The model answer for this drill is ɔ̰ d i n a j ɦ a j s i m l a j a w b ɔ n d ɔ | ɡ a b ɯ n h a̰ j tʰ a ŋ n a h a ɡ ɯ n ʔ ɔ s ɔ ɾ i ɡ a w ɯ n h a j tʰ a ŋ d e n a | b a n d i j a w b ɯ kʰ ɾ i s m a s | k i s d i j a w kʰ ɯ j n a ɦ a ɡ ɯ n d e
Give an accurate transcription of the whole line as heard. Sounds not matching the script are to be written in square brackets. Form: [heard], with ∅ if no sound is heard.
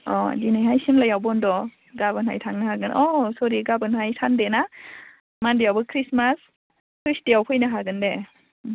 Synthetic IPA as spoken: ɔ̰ d i n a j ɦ a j s i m l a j a w b ɔ n d ɔ | ɡ a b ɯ n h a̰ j tʰ a ŋ n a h a ɡ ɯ n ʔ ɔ s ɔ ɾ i ɡ a [b] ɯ n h a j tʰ a [n] d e n a | [m] a n d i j a w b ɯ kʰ ɾ i s m a s | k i s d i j a w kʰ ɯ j n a ɦ a ɡ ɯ n d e